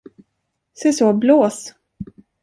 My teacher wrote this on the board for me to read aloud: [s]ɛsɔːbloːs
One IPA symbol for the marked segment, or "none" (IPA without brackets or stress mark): s